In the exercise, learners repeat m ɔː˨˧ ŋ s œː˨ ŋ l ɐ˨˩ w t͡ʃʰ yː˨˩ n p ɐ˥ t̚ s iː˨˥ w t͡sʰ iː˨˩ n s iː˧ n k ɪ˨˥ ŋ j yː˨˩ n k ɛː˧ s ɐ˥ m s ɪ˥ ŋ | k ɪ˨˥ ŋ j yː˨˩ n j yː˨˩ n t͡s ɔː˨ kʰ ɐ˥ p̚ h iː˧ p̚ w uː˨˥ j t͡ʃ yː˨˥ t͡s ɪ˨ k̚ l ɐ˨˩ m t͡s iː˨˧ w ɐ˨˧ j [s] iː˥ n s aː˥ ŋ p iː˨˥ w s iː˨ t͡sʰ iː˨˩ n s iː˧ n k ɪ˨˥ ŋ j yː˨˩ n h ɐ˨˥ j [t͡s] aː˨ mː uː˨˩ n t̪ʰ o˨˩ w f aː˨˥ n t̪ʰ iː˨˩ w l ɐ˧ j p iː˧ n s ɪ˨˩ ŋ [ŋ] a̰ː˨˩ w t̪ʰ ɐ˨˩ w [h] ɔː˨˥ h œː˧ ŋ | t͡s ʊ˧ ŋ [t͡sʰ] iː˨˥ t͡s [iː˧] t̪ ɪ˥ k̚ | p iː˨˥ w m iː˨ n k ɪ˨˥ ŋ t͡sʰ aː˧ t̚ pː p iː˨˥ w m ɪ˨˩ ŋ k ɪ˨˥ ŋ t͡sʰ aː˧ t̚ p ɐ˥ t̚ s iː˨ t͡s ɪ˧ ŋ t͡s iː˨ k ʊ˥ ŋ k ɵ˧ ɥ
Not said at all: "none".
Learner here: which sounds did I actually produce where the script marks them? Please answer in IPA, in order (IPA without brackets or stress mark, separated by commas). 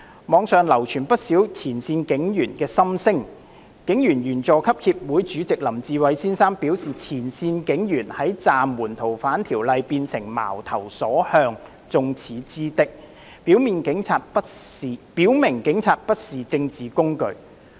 s, t͡s, m, s, t͡sʰ, iː˥